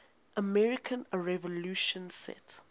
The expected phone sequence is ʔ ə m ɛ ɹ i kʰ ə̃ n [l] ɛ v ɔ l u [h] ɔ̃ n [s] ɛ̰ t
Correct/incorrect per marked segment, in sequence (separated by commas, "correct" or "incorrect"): incorrect, incorrect, correct